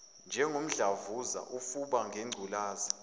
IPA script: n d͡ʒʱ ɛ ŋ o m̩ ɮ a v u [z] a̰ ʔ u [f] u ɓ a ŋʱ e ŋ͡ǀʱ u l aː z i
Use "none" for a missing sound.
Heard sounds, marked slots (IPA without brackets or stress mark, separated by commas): z, f